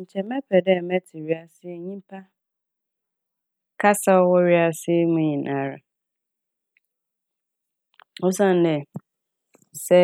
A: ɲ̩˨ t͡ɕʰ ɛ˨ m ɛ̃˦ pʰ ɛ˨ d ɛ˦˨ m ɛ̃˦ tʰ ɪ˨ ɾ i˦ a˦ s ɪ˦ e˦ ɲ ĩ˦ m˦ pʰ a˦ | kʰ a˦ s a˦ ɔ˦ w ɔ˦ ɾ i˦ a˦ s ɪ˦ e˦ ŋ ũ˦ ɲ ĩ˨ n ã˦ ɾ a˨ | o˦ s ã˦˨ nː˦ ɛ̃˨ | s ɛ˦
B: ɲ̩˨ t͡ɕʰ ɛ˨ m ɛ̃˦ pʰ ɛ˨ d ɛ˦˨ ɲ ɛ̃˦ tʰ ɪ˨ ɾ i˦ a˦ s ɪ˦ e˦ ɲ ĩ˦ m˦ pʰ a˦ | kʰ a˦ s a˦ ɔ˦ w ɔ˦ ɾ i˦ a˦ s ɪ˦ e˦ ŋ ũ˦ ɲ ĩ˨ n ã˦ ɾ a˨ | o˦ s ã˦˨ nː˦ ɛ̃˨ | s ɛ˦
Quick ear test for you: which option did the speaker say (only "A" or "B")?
A